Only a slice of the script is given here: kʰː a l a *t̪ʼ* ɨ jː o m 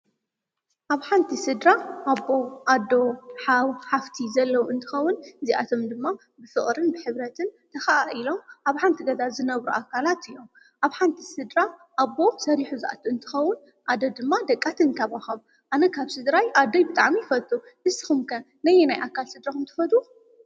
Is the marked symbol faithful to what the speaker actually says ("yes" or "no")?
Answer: no